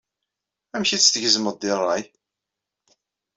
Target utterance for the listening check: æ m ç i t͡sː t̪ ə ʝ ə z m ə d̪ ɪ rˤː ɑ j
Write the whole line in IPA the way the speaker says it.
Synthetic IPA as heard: æ m ç i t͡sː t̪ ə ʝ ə z m ə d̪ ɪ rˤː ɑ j